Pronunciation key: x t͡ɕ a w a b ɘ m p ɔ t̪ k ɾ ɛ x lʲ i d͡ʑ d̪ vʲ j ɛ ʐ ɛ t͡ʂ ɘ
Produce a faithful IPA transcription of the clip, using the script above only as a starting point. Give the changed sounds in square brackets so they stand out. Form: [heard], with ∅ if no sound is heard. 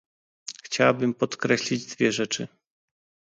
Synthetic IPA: x t͡ɕ a w a b ɘ m p ɔ t̪ k ɾ ɛ [ɕ] lʲ i d͡ʑ d̪ vʲ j ɛ ʐ ɛ t͡ʂ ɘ